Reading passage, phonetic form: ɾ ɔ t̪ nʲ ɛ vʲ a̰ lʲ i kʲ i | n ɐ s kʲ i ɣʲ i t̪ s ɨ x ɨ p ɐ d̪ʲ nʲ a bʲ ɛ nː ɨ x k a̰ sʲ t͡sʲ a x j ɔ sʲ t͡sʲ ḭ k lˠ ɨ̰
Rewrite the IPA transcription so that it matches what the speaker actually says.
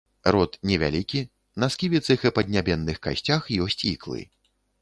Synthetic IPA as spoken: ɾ ɔ t̪ nʲ ɛ vʲ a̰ lʲ i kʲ i | n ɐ s kʲ i vʲ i t̪ s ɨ x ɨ p ɐ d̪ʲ nʲ a bʲ ɛ nː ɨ x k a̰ sʲ t͡sʲ a x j ɔ sʲ t͡sʲ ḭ k lˠ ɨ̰